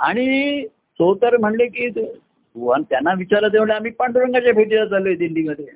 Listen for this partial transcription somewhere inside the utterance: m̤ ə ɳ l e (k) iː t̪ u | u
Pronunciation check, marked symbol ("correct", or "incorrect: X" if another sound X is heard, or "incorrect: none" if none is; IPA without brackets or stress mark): correct